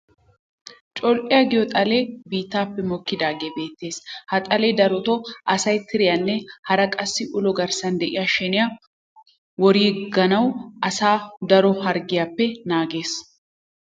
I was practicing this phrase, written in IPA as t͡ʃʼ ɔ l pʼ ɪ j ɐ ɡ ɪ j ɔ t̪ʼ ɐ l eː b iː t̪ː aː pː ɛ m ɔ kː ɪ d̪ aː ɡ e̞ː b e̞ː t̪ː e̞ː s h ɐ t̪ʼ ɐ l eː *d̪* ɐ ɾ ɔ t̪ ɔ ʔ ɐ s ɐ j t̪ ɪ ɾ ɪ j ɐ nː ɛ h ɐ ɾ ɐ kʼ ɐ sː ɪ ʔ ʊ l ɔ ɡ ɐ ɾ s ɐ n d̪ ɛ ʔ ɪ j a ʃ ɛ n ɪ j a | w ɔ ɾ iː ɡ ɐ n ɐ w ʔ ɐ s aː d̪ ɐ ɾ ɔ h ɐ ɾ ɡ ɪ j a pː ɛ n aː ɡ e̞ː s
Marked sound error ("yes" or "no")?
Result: no